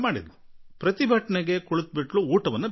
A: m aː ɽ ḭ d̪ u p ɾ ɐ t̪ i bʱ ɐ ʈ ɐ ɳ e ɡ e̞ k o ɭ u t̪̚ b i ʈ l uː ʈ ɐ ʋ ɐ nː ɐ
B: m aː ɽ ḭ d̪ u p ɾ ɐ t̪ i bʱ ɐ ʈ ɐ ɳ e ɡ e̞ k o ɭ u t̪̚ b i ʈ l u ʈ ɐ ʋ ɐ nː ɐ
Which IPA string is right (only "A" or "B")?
A